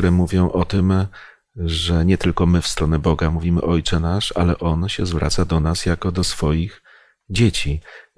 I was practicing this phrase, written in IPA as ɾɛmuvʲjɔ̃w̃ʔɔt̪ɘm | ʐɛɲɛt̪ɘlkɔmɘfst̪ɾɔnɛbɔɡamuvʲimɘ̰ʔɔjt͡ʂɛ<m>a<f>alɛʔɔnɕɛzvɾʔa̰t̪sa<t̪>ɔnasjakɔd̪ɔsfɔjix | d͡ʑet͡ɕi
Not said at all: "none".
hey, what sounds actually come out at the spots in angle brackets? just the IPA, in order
n, ʂ, d̪

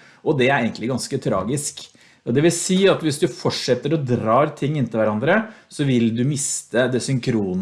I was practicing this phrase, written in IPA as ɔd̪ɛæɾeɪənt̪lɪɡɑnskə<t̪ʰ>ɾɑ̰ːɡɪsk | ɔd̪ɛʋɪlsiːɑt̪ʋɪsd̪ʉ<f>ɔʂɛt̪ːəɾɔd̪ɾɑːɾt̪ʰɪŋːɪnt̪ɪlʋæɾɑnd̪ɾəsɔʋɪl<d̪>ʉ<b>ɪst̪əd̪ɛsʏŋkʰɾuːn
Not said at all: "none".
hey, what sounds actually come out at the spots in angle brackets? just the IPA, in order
t̪ʰ, f, d̪, m

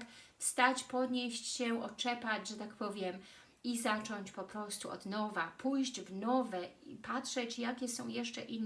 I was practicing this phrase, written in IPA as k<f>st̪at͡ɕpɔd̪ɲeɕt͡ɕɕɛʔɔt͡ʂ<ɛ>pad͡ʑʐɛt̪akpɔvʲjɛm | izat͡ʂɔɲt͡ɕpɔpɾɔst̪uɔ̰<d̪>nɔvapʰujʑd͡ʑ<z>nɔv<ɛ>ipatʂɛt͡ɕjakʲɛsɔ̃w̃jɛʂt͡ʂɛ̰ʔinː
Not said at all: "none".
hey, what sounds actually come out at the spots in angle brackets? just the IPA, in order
f, ɛ, d̪, v, ɛ

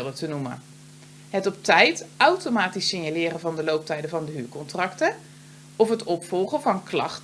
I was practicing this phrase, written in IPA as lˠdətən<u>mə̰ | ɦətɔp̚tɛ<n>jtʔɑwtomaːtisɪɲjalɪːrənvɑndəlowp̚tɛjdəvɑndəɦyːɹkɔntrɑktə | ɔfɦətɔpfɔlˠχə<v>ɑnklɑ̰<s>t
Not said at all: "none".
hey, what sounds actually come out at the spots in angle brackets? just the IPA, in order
u, none, v, χ

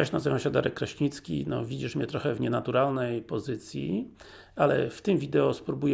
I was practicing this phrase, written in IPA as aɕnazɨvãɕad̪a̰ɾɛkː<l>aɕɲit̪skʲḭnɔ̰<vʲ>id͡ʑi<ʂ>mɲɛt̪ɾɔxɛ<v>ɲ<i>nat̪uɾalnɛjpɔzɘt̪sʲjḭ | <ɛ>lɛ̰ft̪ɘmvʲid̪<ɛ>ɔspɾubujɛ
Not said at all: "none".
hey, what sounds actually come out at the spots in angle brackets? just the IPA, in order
ɾ, vʲ, ʂ, v, ɛ, a, ɛ

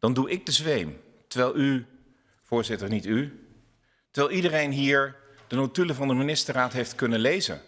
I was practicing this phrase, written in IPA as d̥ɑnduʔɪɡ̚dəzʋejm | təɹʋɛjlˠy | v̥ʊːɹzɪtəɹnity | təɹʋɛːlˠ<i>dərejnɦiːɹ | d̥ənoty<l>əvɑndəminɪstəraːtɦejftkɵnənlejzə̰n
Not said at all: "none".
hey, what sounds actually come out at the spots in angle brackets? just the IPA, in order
i, l

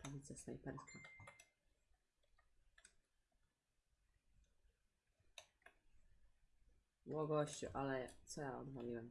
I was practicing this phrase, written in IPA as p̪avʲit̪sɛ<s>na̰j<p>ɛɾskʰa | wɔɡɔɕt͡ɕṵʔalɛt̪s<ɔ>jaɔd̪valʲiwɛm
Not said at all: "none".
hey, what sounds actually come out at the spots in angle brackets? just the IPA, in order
s, p, ɔ

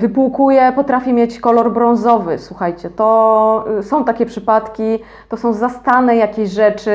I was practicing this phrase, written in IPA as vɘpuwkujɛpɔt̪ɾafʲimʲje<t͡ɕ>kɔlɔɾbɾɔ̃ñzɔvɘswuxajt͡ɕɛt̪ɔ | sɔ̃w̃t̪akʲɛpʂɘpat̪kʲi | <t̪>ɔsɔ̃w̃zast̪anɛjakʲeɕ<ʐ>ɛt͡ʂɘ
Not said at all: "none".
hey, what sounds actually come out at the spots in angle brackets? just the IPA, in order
t͡ɕ, t̪, ʐ

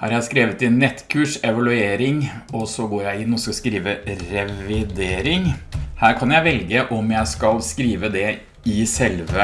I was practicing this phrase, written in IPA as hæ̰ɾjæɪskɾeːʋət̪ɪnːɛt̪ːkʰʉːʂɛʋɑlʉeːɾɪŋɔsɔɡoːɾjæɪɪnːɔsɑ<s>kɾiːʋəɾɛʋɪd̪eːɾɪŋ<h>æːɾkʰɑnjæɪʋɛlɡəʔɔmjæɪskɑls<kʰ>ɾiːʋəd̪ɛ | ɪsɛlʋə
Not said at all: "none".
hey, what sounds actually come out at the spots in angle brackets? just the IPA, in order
s, h, k

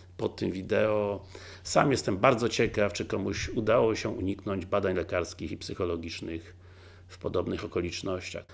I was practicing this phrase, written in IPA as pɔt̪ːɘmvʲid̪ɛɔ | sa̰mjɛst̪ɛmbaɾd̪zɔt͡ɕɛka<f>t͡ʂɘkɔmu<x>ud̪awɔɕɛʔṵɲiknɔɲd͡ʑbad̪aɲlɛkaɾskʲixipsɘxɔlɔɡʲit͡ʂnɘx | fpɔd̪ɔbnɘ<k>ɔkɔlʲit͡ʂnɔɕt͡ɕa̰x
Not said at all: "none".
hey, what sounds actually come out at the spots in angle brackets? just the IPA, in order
f, ɕ, x

